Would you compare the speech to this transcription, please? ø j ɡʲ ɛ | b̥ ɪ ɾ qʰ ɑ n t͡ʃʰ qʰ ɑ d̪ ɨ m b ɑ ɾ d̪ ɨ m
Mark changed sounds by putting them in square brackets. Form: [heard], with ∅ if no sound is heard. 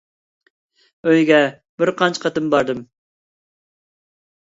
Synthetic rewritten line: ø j ɡʲ ɛ | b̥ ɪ ɾ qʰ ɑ n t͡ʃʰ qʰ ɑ [t̪] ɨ m b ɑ ɾ d̪ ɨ m